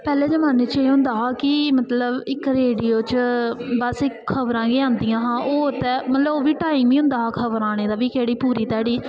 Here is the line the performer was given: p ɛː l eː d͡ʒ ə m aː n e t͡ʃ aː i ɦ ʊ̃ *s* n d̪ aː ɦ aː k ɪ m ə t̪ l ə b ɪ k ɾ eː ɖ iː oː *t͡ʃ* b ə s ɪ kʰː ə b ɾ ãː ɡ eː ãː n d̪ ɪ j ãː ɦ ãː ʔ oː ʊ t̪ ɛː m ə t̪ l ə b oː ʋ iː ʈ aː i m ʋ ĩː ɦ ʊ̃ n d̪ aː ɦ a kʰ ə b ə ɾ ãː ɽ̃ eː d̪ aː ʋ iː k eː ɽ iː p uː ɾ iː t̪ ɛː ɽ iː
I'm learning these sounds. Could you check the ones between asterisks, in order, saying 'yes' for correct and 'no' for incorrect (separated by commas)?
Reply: no, yes